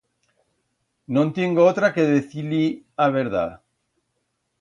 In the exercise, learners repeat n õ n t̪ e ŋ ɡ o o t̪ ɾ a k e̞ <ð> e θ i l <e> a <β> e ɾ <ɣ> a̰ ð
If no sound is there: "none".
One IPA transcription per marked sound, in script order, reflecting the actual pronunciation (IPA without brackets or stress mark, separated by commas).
ð, i, β, ð